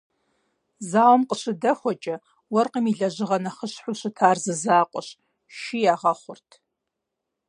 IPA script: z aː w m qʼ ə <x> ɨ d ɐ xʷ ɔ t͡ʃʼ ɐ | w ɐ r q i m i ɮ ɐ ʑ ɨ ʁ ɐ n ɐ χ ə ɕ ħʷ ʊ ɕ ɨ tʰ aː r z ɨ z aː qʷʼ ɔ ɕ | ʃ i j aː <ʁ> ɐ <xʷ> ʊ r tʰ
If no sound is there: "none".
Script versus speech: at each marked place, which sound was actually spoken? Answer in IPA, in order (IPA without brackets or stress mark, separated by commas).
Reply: ɕ, ʁ, χʷ